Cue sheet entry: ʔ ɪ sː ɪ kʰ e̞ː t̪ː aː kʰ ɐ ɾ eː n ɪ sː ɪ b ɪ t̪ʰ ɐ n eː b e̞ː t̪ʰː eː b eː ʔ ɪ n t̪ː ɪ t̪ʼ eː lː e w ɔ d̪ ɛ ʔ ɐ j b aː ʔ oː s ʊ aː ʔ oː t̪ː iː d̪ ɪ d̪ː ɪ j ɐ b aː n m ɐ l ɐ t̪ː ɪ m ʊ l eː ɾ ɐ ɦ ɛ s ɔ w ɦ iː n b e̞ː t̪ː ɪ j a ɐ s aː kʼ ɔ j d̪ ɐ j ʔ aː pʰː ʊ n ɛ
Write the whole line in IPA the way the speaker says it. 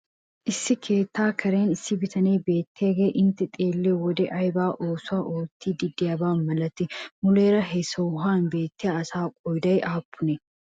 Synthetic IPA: ʔ ɪ sː ɪ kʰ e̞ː t̪ː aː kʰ ɐ ɾ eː n ɪ sː ɪ b ɪ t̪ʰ ɐ n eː b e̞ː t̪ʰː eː ɡ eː ʔ ɪ n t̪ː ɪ t̪ʼ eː lː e w ɔ d̪ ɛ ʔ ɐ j b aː ʔ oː s ʊ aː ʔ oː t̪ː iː d̪ ɪ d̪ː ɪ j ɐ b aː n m ɐ l ɐ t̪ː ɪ m ʊ l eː ɾ ɐ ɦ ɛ s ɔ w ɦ aː n b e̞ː t̪ː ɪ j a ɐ s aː kʼ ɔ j d̪ ɐ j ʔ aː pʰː ʊ n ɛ